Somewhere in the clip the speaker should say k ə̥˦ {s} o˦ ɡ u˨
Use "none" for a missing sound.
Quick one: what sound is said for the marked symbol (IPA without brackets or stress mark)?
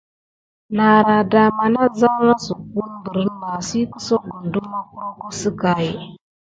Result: s